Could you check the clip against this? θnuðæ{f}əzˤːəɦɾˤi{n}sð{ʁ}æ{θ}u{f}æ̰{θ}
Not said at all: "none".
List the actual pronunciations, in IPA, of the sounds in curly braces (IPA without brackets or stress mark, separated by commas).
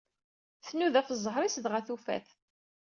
f, none, ʁ, θ, f, θ